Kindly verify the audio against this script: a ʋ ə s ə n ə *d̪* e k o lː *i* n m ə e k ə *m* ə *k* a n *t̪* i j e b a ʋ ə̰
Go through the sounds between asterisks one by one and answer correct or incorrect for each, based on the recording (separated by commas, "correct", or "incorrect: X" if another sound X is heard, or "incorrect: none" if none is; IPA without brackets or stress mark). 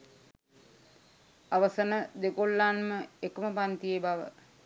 correct, incorrect: a, correct, incorrect: p, correct